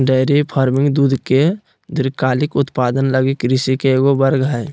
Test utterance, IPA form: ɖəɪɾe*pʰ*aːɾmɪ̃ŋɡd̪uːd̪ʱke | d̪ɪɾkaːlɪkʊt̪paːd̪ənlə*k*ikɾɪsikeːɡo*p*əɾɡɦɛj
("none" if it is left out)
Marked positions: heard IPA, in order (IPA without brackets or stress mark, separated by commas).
pʰ, ɡ, b